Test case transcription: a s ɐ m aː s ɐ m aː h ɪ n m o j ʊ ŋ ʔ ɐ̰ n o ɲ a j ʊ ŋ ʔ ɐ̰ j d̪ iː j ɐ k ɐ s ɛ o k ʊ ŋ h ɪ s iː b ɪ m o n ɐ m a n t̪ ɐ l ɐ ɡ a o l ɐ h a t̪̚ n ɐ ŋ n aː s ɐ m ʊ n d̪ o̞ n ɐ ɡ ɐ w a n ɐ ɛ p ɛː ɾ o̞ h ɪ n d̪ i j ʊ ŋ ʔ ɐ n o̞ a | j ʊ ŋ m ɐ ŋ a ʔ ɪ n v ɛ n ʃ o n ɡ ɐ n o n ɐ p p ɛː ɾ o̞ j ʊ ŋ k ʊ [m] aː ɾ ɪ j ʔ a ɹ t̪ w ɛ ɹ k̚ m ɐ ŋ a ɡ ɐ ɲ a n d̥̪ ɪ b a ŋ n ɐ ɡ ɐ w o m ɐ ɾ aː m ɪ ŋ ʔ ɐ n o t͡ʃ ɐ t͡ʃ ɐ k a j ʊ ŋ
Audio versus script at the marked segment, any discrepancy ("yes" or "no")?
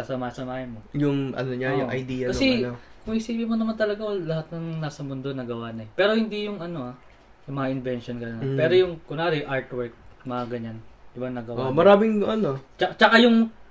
yes